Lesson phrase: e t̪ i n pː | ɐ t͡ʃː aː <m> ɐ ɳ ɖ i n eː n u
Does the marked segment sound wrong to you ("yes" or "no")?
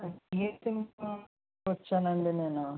yes